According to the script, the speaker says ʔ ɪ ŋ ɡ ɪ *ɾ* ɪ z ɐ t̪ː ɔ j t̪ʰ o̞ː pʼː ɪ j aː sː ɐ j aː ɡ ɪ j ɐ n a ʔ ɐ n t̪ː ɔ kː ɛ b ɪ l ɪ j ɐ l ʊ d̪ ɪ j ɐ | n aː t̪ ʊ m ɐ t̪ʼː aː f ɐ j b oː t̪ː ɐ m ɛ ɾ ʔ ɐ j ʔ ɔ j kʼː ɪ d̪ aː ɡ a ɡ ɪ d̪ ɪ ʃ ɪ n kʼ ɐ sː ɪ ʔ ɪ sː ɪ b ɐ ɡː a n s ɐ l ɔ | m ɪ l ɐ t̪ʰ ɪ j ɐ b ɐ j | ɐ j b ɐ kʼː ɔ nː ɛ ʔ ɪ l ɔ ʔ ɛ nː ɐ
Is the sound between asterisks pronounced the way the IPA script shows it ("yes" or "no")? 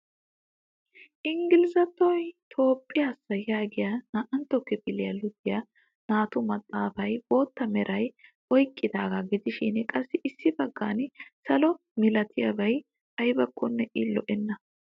no